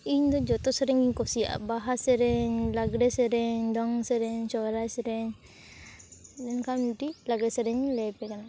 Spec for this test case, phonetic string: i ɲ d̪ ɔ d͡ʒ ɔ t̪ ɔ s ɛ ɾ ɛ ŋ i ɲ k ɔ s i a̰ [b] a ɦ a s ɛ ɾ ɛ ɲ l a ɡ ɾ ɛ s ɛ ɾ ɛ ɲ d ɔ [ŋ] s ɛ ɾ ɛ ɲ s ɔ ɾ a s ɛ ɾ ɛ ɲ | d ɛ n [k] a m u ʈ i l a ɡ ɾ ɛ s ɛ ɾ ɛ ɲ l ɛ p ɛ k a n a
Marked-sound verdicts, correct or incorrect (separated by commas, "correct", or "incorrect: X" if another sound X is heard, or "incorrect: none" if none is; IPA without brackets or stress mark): correct, correct, correct